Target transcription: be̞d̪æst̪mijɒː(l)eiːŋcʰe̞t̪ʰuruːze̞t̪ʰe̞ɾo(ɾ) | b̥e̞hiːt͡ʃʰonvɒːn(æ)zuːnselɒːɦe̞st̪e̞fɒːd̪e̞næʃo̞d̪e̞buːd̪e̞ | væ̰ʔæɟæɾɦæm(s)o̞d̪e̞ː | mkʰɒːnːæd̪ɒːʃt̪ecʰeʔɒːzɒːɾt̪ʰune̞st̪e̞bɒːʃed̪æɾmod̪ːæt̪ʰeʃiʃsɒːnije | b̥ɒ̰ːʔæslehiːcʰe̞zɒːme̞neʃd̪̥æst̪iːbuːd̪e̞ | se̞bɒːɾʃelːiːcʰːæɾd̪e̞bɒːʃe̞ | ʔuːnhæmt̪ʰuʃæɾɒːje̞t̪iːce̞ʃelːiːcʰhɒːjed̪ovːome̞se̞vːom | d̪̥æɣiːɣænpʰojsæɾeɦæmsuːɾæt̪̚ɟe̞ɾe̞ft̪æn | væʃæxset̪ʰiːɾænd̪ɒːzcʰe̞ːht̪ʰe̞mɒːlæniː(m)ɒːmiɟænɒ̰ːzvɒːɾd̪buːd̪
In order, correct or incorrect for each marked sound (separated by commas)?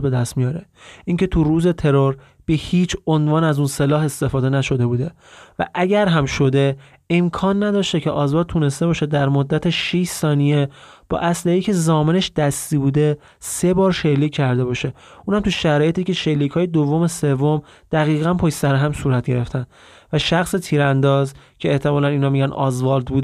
incorrect, correct, correct, incorrect, incorrect